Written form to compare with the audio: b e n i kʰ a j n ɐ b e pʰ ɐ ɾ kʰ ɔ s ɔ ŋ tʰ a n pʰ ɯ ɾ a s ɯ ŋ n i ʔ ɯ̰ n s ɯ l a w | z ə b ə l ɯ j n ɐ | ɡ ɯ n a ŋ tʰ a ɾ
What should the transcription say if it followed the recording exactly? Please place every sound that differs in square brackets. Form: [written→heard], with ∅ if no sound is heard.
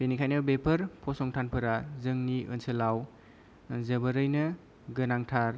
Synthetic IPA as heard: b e n i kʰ a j n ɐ b e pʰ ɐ ɾ [kʰ→pʰ] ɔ s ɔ ŋ tʰ a n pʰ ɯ ɾ a [s→z] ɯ ŋ n i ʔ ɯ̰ n s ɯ l a w | z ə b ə [l→ɾ] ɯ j n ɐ | ɡ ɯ n a ŋ tʰ a ɾ